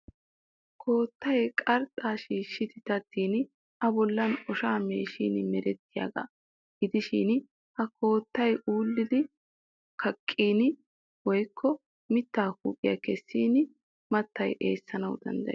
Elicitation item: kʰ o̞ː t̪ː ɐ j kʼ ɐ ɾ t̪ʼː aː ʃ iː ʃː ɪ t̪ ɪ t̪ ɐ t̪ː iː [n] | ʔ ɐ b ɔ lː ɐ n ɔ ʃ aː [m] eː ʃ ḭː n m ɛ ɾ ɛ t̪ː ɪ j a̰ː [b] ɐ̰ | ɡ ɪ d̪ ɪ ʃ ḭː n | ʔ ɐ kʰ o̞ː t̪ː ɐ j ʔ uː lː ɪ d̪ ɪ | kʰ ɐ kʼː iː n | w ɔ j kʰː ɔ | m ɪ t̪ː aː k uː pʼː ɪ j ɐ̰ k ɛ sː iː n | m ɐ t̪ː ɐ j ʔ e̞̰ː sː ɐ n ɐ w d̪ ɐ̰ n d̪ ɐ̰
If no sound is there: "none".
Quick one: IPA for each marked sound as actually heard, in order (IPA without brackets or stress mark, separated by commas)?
n, m, ɡ